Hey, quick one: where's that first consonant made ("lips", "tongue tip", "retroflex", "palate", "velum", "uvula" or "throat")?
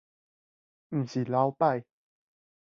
lips